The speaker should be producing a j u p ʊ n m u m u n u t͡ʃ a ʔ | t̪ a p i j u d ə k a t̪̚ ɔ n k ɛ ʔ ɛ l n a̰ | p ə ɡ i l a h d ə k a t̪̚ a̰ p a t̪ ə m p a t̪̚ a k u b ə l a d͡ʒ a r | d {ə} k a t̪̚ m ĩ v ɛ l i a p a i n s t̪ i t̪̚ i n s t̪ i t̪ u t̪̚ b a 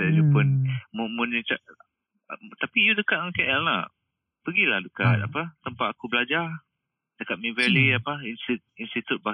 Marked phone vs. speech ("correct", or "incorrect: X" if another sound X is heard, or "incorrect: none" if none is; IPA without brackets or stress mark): correct